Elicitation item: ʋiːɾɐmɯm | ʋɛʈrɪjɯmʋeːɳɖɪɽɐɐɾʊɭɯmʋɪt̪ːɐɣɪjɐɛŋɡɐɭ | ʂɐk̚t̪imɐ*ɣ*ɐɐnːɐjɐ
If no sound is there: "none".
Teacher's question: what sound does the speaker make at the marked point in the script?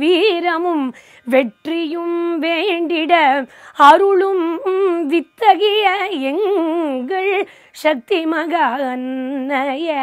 ɣ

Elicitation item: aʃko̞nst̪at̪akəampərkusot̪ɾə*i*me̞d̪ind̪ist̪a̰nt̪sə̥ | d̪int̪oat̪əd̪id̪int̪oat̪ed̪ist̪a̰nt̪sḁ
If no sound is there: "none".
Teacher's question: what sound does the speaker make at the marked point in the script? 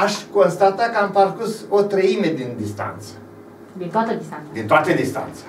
i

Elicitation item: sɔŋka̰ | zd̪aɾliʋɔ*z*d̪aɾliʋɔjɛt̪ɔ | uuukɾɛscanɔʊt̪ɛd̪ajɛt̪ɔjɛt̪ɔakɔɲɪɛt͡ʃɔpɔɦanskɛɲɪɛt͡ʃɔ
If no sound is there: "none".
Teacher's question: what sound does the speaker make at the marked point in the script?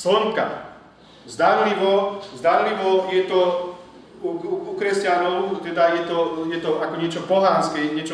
z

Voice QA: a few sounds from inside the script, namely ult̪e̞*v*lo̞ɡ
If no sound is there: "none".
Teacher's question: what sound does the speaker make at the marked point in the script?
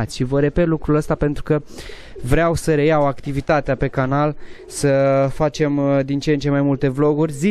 v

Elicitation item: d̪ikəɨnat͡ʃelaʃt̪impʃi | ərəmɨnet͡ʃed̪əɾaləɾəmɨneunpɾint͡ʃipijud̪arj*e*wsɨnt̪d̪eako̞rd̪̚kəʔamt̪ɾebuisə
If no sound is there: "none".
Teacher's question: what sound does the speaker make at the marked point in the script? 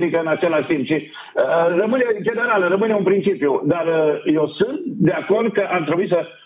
e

